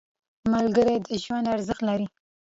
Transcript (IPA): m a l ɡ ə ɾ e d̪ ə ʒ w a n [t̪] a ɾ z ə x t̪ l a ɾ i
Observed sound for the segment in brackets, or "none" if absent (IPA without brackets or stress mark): d̪